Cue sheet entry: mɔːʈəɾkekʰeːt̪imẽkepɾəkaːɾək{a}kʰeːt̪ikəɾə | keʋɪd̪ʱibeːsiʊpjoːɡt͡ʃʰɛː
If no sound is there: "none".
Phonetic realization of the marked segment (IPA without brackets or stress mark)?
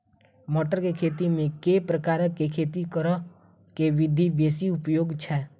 e